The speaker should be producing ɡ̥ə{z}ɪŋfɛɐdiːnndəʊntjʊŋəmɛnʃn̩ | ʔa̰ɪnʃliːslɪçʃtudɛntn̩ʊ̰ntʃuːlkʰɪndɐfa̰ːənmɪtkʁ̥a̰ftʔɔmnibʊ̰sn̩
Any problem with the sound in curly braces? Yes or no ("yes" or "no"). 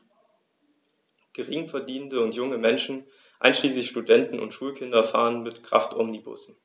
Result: yes